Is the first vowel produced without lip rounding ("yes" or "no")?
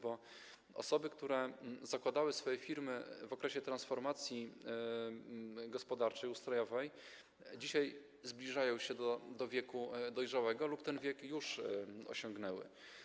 no